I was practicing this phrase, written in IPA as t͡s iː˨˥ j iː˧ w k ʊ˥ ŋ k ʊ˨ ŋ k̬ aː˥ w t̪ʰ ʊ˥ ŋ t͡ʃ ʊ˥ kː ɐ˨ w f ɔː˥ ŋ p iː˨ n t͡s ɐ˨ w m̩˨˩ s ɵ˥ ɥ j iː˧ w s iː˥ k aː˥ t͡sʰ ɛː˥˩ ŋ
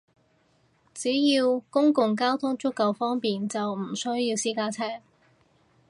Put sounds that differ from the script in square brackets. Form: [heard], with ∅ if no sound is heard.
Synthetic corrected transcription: t͡s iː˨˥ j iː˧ w k ʊ˥ ŋ k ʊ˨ ŋ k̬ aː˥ w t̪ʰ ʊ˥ ŋ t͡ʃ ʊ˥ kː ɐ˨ w f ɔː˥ ŋ p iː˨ n t͡s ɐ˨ w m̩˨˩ s ɵ˥ ɥ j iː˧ w s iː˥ k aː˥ t͡sʰ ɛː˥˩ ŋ